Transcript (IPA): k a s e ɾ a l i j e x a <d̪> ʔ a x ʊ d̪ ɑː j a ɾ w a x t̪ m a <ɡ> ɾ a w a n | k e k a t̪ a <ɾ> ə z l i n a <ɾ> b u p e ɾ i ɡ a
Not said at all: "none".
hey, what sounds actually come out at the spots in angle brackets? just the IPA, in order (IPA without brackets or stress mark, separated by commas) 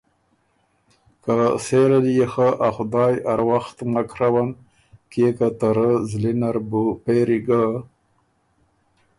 none, k, ɾ, ɾ